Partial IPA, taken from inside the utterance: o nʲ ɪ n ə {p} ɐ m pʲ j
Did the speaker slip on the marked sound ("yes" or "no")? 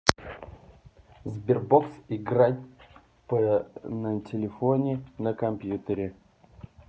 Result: yes